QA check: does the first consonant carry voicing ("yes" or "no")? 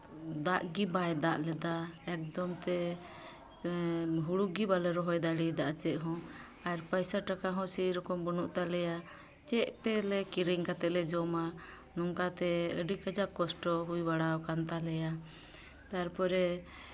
yes